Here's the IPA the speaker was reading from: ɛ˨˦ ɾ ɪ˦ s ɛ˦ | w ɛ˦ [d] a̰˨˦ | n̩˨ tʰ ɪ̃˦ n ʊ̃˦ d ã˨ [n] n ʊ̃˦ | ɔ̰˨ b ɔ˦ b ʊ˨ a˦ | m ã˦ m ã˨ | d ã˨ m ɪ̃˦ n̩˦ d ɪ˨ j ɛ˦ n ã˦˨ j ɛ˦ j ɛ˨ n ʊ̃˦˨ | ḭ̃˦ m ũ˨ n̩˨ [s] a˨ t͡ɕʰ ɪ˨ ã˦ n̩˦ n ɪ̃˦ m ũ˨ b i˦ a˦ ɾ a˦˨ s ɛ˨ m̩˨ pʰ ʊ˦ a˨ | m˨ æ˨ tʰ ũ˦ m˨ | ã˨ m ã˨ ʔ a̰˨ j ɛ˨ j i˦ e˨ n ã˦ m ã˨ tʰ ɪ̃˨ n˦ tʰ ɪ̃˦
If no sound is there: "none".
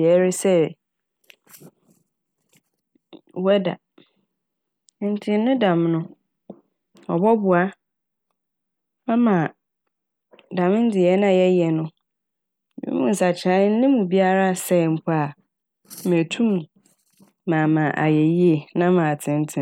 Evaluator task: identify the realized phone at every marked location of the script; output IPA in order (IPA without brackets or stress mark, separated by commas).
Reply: d, m, s